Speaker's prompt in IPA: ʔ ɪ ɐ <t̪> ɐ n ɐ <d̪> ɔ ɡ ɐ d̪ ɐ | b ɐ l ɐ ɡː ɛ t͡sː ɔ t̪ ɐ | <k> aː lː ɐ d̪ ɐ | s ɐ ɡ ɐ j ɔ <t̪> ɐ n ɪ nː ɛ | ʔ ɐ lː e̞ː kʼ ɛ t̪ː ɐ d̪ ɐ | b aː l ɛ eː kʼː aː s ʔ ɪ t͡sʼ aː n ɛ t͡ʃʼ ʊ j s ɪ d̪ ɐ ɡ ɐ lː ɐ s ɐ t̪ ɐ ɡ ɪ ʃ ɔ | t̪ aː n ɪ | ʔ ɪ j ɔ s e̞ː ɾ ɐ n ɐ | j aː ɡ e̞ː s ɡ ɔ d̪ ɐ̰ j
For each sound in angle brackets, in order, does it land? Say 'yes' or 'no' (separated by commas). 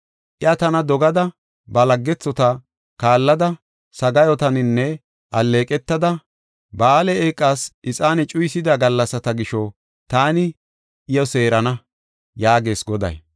yes, yes, yes, yes